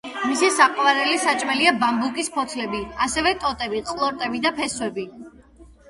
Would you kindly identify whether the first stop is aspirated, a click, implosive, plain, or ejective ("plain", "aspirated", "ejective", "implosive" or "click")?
ejective